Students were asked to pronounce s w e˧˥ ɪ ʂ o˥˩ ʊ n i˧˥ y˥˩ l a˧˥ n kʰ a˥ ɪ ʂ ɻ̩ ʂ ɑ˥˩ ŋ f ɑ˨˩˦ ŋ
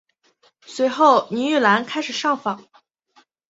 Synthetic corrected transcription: s w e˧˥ ɪ x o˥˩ ʊ n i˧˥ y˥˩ l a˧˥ n kʰ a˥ ɪ ʂ ɻ̩ ʂ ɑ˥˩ ŋ f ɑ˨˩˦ ŋ

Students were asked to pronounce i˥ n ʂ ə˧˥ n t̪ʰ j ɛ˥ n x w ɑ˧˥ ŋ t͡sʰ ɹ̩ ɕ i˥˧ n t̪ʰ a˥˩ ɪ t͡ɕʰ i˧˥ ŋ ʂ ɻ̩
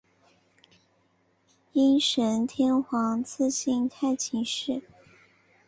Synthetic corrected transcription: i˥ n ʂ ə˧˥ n t̪ʰ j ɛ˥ n x w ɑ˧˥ ŋ t͡sʰ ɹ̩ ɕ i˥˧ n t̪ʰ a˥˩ ɪ t͡ɕʰ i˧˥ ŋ ʂ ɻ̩

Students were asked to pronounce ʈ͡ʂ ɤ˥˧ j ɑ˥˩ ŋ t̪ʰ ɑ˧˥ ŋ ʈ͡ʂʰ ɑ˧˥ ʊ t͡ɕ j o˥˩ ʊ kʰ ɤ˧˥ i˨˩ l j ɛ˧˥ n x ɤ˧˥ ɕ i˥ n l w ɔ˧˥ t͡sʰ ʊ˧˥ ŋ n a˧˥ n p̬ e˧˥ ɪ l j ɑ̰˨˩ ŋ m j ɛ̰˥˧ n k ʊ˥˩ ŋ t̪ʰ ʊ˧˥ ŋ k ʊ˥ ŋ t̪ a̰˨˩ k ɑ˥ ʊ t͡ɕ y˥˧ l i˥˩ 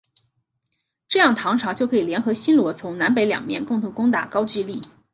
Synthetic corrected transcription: ʈ͡ʂ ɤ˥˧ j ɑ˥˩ ŋ t̪ʰ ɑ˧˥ ŋ ʈ͡ʂʰ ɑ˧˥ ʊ t͡ɕ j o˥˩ ʊ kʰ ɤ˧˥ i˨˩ l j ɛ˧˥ n x ɤ˧˥ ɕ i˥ n l w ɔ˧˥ t͡sʰ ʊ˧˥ ŋ n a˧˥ n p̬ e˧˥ ɪ l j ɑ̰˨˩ ŋ m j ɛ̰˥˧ n k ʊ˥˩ ŋ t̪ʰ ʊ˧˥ ŋ k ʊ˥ ŋ t̪ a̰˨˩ k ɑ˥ ʊ t͡ɕ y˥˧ l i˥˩

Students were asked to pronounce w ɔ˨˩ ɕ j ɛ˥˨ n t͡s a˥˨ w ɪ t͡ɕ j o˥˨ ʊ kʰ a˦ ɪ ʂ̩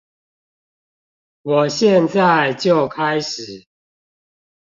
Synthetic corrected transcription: w ɔ˨˩ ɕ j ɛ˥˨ n t͡s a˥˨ ɪ t͡ɕ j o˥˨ ʊ kʰ a˦ ɪ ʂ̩

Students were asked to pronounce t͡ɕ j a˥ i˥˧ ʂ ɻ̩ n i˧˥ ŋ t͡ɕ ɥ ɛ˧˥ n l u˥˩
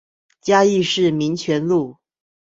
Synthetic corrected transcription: t͡ɕ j a˥ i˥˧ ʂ ɻ̩ m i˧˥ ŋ t͡ɕʰ ɥ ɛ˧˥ n l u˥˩

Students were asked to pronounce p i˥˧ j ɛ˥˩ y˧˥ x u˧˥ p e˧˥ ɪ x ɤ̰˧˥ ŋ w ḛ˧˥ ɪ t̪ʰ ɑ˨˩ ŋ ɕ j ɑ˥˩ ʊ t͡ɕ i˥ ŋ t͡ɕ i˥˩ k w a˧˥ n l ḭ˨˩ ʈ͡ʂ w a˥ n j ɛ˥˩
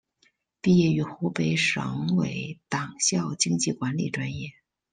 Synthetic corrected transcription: p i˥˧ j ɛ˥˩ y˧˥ x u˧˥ p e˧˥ ɪ ʂ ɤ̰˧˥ ŋ w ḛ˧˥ ɪ t̪ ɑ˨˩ ŋ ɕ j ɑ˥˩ ʊ t͡ɕ i˥ ŋ t͡ɕ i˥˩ k w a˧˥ n l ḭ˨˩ ʈ͡ʂ w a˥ n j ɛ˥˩

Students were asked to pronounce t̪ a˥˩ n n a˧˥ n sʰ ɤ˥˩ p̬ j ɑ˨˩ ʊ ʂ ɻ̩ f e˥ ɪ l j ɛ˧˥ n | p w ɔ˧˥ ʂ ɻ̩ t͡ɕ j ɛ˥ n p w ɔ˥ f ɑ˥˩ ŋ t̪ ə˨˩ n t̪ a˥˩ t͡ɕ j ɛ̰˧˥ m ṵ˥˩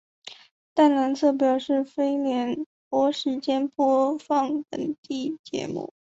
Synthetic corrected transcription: t̪ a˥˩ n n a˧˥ n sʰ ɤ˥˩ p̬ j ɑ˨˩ ʊ ʂ ɻ̩ f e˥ ɪ l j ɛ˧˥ n | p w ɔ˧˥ ʂ ɻ̩ t͡ɕ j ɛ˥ n p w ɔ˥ f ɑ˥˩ ŋ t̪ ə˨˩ ŋ t̪ i˥˩ t͡ɕ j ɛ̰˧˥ m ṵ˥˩

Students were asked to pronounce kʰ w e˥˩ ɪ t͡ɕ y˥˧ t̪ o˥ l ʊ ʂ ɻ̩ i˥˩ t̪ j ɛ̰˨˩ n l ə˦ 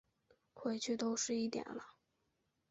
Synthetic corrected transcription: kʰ w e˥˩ ɪ t͡ɕʰ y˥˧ t̪ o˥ ʊ ʂ ɻ̩ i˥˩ t̪ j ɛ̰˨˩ n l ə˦

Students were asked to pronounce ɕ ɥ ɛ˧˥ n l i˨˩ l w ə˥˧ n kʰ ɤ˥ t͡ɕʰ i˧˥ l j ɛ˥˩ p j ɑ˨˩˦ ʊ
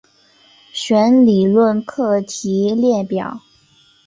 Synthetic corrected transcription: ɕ ɥ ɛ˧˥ n l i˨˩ l w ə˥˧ n kʰ ɤ˥˩ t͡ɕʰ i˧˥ l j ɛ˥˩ p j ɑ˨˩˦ ʊ

